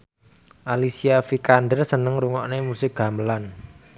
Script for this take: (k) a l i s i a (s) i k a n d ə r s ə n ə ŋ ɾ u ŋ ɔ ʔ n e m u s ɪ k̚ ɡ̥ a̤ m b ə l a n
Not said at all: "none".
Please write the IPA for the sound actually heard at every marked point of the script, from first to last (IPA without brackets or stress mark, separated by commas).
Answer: ʔ, f